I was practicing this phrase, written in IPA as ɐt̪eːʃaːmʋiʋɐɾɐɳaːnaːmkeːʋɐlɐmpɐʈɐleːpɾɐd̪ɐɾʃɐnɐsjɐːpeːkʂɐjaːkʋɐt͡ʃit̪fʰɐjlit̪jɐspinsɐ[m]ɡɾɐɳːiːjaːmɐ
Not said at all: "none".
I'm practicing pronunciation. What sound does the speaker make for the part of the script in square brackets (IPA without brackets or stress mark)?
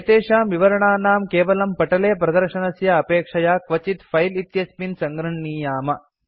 ŋ